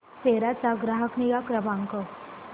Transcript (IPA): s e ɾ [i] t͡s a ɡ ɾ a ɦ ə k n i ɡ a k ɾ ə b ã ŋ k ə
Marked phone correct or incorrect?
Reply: incorrect